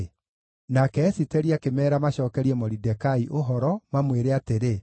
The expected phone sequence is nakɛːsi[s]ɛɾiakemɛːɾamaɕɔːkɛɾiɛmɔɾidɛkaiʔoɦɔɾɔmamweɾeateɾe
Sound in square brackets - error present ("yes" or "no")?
yes